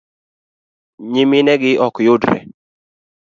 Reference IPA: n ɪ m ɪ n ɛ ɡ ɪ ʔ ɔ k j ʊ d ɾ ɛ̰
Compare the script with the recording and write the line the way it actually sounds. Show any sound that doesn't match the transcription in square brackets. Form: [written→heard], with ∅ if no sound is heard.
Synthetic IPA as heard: [n→ɲ] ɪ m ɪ n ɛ ɡ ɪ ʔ ɔ k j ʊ d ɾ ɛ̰

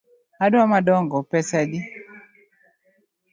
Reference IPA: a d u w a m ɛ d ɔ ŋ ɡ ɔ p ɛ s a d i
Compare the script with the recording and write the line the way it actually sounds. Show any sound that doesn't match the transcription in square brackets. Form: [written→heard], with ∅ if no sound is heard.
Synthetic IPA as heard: a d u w a m [ɛ→a] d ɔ ŋ ɡ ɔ p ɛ s a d i

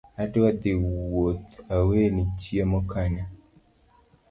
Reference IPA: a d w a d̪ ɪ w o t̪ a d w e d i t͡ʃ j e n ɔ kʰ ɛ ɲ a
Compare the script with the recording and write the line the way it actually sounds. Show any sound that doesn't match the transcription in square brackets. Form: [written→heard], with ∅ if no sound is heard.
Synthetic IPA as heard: a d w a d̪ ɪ w o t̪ a [d→∅] w e [d→n] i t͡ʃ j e [n→m] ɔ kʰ [ɛ→a] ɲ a

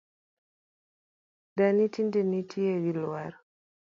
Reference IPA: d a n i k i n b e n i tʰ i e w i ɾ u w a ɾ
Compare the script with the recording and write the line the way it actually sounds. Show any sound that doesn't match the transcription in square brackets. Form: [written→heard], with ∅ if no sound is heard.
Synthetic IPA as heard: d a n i [k→t] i n [b→d] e n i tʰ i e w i [ɾ→l] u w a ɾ

